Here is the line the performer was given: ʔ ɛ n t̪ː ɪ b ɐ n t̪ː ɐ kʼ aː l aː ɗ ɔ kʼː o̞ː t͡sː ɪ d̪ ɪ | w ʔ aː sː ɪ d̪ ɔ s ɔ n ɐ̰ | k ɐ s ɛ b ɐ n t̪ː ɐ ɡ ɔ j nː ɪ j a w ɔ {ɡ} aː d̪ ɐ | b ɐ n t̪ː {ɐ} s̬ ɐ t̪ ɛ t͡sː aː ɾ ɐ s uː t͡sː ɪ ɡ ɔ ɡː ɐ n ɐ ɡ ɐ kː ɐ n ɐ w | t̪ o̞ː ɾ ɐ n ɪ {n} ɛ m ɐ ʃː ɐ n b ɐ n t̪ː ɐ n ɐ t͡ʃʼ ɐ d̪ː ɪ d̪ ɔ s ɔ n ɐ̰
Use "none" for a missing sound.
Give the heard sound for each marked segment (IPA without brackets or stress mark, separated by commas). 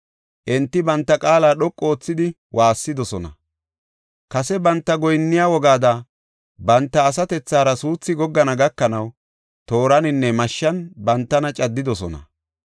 ɡ, ɐː, nː